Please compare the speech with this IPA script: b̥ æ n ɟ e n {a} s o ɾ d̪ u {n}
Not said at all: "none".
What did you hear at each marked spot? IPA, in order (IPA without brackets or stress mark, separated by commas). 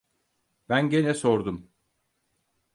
ɛ, m